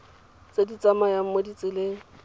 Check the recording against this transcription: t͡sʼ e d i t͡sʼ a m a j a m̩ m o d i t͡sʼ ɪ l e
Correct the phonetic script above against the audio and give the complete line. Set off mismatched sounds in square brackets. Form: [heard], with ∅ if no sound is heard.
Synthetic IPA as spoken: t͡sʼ e d i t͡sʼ a m a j a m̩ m o d i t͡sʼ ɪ l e